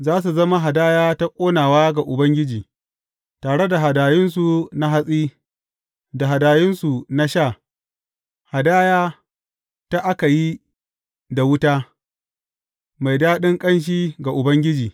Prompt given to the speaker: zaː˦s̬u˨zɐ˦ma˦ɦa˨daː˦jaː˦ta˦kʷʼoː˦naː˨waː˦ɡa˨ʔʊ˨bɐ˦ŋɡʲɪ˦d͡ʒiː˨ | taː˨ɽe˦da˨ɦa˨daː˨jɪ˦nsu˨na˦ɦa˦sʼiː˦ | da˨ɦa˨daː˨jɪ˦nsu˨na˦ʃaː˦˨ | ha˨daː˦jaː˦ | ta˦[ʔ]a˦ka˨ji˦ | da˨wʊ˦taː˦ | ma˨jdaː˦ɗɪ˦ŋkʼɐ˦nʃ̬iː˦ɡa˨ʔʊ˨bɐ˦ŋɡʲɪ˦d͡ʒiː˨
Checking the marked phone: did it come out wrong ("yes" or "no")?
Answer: no